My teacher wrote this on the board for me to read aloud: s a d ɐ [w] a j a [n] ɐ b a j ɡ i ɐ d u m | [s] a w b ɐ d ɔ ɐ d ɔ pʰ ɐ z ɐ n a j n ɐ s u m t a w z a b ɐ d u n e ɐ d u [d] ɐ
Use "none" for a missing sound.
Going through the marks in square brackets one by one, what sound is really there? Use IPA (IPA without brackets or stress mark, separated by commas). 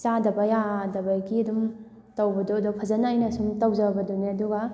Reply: b, d, t, ɡ